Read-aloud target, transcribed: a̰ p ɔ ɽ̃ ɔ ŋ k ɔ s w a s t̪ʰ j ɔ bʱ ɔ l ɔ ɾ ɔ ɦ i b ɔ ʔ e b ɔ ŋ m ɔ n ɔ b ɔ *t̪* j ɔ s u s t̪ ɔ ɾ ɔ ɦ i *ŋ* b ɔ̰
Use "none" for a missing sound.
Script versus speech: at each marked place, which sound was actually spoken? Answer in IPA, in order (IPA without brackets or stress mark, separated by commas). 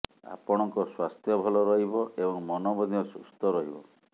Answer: d̪, none